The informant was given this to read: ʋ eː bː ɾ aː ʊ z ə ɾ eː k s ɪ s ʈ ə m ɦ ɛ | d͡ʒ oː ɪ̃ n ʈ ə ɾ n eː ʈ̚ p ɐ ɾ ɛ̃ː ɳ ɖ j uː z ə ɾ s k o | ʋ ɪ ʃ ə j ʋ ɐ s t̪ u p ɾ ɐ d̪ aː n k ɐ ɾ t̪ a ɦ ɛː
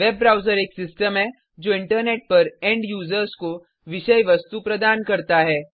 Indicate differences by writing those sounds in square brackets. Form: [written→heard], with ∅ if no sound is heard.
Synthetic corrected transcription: ʋ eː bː ɾ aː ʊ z ə ɾ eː k s ɪ s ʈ ə m ɦ ɛ | d͡ʒ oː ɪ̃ [n→ɳ] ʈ ə ɾ n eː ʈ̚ p ɐ ɾ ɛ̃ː ɳ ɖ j uː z ə ɾ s k o | ʋ ɪ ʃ ə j ʋ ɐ s t̪ u p ɾ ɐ d̪ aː n k ɐ ɾ t̪ a ɦ ɛː